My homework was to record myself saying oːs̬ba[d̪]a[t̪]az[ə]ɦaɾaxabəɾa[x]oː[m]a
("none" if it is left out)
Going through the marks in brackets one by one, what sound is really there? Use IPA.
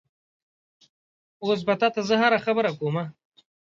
t̪, t̪, ə, k, m

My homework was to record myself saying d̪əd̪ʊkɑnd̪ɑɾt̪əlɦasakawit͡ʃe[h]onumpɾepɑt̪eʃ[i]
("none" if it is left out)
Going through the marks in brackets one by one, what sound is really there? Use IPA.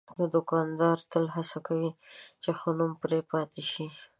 x, i

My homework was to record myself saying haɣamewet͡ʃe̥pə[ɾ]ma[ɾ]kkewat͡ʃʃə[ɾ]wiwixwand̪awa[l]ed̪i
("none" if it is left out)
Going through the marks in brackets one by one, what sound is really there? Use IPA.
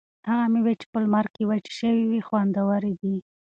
l, ɾ, none, ɾ

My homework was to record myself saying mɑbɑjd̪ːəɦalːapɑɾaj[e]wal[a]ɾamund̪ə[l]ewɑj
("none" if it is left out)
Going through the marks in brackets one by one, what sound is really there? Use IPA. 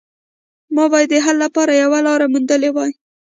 a, ɑ, l

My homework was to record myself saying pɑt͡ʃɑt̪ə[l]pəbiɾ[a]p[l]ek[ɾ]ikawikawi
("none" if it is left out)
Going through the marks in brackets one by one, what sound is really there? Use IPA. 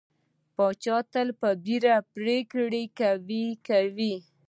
l, a, ɾ, ɽ

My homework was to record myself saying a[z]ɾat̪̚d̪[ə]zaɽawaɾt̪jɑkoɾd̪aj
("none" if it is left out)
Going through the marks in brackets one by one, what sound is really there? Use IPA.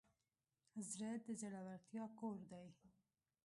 z, ə

